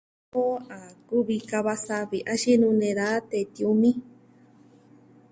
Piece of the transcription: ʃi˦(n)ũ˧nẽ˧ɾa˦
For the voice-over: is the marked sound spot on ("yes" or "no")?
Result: yes